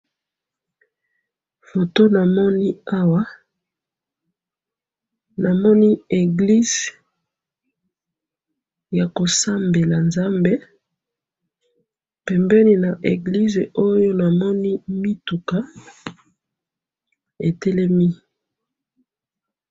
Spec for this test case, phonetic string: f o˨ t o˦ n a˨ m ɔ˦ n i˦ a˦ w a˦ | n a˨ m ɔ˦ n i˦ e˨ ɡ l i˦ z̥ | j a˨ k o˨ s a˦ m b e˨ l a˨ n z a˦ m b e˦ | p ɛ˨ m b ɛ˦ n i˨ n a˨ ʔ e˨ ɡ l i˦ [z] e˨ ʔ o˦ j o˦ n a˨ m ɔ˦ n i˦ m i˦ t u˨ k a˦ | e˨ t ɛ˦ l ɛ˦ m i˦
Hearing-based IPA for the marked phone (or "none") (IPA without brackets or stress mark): z